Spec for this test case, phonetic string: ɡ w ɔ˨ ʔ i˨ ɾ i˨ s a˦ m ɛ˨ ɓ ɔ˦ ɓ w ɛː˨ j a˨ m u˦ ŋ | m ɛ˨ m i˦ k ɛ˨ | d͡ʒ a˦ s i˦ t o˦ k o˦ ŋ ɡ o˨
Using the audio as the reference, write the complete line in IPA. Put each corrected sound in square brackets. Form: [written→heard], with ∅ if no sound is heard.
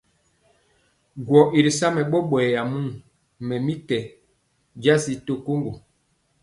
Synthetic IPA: ɡ w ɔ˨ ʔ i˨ ɾ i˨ s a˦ m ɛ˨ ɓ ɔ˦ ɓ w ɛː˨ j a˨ m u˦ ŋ | m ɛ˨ m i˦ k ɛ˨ | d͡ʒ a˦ s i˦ t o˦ k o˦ ŋ ɡ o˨